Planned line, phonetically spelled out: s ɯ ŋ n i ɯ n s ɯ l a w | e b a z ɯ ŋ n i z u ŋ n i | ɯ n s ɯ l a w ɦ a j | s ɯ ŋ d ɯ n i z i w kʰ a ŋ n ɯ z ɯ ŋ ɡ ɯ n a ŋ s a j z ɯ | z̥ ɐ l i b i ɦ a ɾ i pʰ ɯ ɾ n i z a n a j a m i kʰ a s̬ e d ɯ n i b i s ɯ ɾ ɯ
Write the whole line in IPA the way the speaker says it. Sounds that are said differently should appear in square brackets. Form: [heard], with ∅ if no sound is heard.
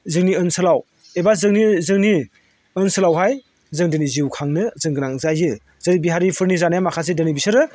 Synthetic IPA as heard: [z] ɯ ŋ n i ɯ n s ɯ l a w | e b a z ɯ ŋ n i z [ɯ] ŋ n i | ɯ n s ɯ l a w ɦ a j | [z] ɯ ŋ d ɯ n i z i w kʰ a ŋ n ɯ z ɯ ŋ ɡ ɯ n a ŋ [z] a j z ɯ | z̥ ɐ [ɾ] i b i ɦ a ɾ i pʰ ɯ ɾ n i z a n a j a m [a] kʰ a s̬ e d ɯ n i b i s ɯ ɾ ɯ